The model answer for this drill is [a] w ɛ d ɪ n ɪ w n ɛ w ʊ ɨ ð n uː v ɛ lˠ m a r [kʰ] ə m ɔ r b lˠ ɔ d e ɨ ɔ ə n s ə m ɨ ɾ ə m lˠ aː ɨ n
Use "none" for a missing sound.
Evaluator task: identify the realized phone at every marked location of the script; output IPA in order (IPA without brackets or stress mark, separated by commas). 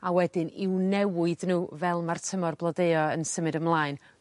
a, tʰ